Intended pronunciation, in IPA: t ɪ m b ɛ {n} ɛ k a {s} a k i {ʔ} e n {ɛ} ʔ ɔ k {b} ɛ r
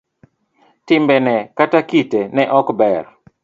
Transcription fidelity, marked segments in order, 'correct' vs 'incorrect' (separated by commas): correct, incorrect, incorrect, correct, correct